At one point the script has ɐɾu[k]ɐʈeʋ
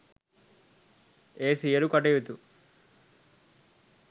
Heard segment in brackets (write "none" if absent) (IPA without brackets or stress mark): k